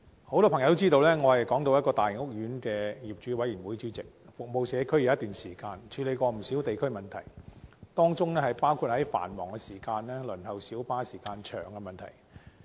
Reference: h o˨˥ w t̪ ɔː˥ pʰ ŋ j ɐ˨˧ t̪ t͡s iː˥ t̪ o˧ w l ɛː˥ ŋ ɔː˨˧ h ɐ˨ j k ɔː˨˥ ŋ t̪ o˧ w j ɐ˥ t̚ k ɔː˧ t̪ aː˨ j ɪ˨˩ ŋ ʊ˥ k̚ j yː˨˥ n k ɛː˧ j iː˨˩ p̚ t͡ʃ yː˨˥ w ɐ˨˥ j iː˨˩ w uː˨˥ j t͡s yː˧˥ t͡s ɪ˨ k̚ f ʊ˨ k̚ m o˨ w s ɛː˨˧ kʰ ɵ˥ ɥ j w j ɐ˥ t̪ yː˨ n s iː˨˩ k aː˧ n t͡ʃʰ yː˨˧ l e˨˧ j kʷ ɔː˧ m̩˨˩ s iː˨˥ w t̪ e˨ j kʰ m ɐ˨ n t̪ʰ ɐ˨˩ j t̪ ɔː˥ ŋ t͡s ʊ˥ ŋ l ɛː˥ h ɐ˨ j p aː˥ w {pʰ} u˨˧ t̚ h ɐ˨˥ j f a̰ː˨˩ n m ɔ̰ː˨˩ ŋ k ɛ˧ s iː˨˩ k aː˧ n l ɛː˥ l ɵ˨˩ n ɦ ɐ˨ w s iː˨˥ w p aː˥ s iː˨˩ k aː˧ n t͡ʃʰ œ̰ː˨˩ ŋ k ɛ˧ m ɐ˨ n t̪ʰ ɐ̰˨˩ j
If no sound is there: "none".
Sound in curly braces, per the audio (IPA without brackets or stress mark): kʰ